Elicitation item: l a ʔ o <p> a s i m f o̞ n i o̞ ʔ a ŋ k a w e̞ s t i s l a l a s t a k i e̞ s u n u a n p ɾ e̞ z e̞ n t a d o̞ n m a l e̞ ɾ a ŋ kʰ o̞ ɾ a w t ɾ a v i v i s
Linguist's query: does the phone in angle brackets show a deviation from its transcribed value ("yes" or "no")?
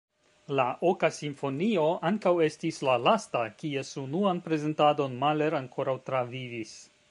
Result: yes